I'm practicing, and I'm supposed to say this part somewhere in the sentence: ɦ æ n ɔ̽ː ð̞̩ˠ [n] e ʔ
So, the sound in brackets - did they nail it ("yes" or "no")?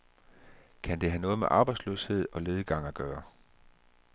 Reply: no